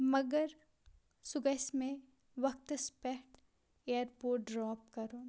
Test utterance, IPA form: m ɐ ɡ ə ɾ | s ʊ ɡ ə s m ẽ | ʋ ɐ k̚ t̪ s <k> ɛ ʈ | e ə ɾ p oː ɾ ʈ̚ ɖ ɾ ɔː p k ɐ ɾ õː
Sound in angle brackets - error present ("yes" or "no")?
yes